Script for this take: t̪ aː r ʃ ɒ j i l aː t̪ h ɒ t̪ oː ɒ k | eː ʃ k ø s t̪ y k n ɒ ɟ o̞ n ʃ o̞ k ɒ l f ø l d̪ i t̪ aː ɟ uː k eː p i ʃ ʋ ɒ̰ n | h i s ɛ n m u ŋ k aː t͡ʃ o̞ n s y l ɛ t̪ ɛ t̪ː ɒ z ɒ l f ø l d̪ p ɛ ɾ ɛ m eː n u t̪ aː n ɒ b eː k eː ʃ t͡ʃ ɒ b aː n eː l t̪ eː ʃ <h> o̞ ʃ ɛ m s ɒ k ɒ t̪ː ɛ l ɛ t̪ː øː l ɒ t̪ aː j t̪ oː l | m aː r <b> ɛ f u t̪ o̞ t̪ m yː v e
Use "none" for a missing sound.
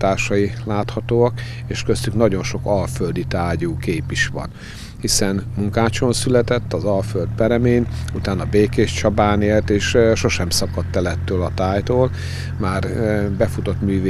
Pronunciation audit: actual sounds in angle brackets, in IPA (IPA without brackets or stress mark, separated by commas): ʃ, b